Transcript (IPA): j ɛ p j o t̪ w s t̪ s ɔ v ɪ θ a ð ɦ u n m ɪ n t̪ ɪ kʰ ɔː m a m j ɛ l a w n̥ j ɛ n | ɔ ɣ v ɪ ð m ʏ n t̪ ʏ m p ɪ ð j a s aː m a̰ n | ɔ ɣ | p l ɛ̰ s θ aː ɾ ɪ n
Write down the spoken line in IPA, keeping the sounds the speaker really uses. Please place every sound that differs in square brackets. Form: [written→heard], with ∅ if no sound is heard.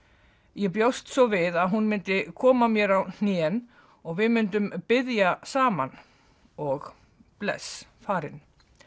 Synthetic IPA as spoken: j ɛ p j o [t̪→∅] w s t̪ s ɔ v ɪ [θ→ð] a ð ɦ u n m ɪ n t̪ ɪ kʰ ɔː m a m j ɛ [l→ɾ] a w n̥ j ɛ n | ɔ ɣ v ɪ ð m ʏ n t̪ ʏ m p ɪ ð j a s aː m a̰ n | ɔ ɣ | p l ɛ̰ s [θ→f] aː ɾ ɪ n